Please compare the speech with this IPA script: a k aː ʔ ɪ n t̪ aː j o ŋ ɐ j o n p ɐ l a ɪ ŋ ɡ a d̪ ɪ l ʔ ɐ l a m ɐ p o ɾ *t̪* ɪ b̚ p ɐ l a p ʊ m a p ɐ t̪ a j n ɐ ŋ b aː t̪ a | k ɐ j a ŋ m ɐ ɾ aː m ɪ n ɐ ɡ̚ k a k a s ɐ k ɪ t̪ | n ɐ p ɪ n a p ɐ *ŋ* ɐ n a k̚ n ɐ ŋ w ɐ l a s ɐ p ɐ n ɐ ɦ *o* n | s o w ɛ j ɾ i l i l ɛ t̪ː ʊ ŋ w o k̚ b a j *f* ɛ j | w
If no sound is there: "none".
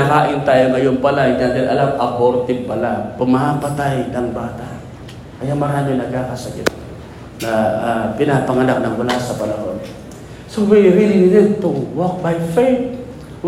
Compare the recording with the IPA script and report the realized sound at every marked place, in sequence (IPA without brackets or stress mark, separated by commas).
t̪, ŋ, o, f